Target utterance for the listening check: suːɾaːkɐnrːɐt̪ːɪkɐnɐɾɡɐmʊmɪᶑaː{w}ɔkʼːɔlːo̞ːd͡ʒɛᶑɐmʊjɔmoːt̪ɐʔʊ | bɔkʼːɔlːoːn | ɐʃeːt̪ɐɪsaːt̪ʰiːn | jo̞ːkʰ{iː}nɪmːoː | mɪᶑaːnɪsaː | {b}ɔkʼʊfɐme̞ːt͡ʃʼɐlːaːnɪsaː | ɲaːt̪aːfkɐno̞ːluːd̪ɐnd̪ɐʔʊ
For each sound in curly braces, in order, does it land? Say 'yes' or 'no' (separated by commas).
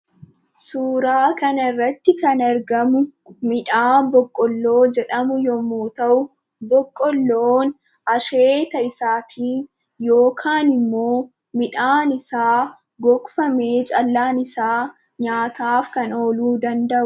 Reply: no, no, no